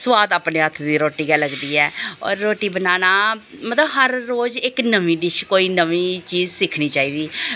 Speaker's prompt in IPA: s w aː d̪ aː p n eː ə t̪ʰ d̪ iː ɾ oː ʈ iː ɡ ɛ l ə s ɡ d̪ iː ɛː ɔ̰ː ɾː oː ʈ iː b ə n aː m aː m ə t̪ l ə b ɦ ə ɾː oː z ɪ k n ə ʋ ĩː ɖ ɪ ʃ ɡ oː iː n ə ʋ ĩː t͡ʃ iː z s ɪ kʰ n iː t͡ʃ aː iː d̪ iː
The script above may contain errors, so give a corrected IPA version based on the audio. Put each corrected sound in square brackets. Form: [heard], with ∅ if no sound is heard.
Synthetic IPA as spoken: s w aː d̪ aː p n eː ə t̪ʰ d̪ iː ɾ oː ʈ iː ɡ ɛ l ə [∅] ɡ d̪ iː ɛː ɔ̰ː ɾː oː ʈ iː b ə n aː [n] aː m ə t̪ l ə b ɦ ə ɾː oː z ɪ k n ə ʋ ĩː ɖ ɪ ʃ [k] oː iː n ə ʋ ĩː t͡ʃ iː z s ɪ kʰ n iː t͡ʃ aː iː d̪ iː